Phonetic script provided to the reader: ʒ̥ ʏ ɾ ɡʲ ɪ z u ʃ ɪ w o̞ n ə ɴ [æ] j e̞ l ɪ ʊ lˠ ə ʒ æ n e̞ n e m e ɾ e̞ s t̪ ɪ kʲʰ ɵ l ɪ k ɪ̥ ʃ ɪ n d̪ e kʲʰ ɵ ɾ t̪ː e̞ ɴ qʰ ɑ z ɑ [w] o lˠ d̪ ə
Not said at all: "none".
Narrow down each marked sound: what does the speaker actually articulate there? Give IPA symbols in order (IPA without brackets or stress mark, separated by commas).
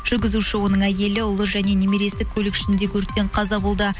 æ, b